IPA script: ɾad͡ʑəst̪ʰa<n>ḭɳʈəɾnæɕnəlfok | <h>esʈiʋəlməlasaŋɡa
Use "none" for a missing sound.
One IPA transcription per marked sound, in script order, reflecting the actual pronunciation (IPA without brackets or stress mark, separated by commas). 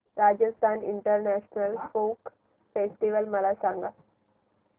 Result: n, f